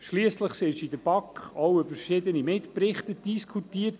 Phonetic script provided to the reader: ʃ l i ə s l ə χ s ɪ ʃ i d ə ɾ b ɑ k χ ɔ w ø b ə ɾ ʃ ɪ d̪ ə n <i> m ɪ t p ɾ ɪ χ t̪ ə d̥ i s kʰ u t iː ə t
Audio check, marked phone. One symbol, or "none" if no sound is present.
i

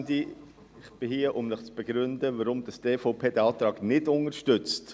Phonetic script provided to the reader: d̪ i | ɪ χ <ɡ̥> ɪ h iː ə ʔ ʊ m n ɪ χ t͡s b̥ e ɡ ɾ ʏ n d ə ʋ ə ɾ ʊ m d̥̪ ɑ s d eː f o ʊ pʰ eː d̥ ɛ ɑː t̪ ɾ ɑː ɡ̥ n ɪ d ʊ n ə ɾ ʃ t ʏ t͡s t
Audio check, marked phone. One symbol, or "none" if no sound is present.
b̥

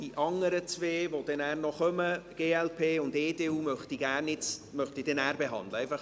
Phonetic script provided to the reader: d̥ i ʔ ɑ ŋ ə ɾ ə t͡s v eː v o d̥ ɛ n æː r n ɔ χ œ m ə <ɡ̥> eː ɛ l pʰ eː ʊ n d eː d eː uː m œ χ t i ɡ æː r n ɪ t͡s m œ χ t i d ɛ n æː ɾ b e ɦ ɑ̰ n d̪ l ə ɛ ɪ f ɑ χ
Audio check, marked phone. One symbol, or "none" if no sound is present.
ɡ̥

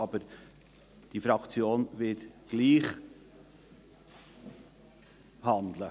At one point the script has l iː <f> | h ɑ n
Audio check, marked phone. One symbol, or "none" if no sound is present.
χ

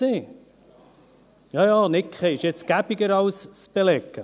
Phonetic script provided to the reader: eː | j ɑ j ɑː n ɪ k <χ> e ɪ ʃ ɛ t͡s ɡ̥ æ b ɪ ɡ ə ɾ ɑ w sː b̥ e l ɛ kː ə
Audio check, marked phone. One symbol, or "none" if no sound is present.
χ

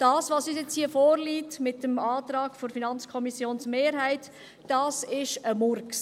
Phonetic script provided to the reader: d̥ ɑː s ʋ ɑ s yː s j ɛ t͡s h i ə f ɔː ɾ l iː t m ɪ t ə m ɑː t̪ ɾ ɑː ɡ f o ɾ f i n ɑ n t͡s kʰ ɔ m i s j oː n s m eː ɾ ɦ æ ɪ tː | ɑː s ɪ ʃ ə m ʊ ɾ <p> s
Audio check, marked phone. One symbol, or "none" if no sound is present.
k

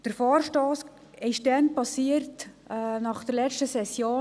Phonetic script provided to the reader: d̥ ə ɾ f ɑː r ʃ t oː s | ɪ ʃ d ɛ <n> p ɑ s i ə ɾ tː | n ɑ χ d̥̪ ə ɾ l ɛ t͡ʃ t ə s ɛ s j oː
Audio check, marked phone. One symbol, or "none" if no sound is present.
n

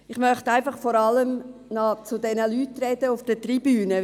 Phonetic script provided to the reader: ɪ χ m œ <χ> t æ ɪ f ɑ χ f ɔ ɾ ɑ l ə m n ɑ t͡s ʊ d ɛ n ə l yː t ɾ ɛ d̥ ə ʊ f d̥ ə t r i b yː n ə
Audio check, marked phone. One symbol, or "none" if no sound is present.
χ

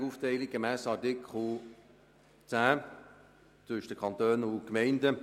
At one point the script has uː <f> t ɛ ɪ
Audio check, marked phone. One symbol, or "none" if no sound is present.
f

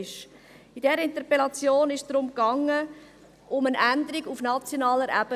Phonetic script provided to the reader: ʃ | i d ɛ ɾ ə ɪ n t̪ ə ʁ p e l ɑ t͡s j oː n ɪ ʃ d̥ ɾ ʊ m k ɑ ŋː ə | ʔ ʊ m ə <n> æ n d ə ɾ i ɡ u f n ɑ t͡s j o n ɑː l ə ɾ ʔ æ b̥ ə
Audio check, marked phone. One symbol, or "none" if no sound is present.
n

